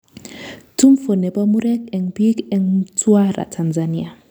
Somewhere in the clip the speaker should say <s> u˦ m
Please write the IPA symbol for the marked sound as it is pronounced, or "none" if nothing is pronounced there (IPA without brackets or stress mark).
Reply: t